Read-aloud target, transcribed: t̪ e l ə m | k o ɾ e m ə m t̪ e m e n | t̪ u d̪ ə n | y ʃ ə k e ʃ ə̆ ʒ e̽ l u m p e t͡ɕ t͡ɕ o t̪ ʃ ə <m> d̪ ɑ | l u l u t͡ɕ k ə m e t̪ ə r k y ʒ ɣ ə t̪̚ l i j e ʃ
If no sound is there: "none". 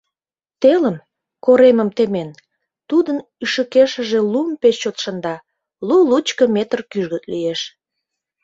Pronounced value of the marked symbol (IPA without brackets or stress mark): n